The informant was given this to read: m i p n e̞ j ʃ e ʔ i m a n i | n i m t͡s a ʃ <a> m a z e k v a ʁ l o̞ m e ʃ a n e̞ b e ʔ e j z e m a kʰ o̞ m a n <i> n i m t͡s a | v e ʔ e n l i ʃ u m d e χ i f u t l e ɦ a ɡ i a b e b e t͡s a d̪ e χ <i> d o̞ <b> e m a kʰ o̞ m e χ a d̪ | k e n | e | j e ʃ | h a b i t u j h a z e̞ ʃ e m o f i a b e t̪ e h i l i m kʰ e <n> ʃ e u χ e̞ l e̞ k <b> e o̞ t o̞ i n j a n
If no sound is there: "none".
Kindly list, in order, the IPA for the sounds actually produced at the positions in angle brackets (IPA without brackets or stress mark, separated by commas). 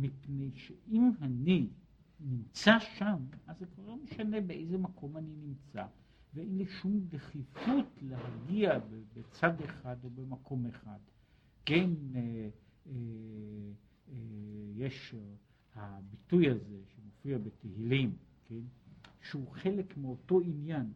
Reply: a, i, a, b, n, m